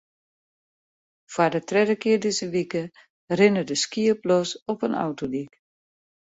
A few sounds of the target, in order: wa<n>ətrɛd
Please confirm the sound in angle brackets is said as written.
no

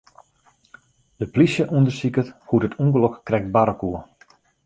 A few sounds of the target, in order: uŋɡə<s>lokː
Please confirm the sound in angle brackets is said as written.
no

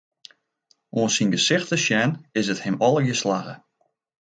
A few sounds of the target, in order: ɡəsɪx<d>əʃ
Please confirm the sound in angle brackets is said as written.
no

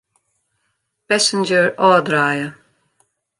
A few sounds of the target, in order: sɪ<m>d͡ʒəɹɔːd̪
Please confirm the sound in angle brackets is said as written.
no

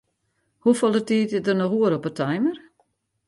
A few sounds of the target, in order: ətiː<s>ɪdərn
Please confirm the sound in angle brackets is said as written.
no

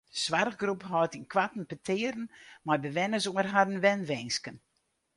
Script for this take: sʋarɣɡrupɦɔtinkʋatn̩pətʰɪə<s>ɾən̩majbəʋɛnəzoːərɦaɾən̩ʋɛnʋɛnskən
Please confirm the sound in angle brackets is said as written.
no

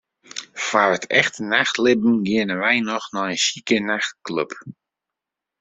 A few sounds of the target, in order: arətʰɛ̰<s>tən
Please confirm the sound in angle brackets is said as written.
no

